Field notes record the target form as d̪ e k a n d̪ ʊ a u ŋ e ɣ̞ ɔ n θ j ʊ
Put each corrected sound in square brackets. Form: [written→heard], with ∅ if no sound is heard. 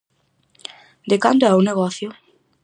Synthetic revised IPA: d̪ e k a n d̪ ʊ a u [ŋ→n] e ɣ̞ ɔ [n→∅] θ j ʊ